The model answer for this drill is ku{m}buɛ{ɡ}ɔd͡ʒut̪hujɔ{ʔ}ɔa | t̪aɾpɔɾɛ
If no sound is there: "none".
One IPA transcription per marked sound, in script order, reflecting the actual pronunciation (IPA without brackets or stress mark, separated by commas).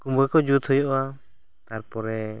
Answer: m, k, ʔ